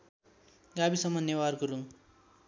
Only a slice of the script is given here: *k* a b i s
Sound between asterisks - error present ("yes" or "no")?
yes